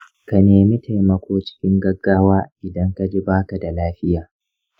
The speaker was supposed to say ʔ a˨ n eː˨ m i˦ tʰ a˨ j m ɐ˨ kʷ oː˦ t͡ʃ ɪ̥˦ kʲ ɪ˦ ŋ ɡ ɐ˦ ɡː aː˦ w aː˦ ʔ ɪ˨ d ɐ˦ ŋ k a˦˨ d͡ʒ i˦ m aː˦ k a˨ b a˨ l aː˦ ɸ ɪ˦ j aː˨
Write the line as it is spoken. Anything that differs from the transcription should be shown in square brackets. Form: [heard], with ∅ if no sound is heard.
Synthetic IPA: [k] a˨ n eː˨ m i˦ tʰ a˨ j m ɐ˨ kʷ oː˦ t͡ʃ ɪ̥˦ kʲ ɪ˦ ŋ ɡ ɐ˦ ɡː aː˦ w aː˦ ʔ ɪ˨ d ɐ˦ ŋ k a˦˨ d͡ʒ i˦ [b] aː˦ k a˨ [d] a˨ l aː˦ ɸ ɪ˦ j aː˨